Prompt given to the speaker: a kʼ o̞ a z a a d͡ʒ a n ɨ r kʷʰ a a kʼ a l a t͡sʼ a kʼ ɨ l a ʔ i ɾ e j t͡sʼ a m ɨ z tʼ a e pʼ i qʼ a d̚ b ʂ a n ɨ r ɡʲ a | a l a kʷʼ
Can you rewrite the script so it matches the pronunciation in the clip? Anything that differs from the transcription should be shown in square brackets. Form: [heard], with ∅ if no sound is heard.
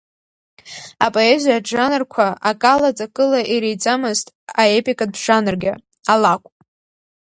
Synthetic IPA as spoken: a [pʼ] o̞ [e] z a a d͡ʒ a n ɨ r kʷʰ a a kʼ a l a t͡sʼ a kʼ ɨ l a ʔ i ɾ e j t͡sʼ a m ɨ z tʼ a e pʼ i [kʼ] a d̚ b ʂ a n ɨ r ɡʲ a | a l a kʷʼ